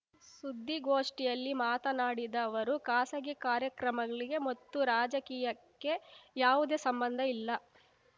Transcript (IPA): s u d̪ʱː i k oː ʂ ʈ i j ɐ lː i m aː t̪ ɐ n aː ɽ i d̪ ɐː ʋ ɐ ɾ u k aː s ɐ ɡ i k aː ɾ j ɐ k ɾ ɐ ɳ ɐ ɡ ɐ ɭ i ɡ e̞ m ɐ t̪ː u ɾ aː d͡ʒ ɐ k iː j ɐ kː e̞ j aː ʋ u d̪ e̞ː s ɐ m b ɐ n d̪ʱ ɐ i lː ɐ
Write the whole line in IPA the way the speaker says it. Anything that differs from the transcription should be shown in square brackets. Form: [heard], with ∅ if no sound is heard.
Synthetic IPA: s u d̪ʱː i [ɡ] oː ʂ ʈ i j ɐ lː i m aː t̪ ɐ n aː ɽ i d̪ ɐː ʋ ɐ ɾ u k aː s ɐ ɡ i k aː ɾ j ɐ k ɾ ɐ [m] ɐ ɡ ɐ ɭ i ɡ e̞ m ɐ t̪ː u ɾ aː d͡ʒ ɐ k iː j ɐ kː e̞ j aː ʋ u d̪ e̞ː s ɐ m b ɐ n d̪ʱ ɐ i lː ɐ